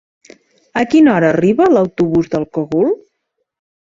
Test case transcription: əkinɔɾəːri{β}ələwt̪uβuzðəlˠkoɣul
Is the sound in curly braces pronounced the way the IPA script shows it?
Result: yes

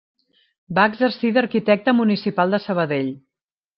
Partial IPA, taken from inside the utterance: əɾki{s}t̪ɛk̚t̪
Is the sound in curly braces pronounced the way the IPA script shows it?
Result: no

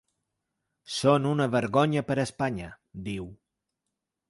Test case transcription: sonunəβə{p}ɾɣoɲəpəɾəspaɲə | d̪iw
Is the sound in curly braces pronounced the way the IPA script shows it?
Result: no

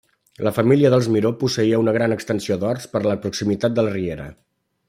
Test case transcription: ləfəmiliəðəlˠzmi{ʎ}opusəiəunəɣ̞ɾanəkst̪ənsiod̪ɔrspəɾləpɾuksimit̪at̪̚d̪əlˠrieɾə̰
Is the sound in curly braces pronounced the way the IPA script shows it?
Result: no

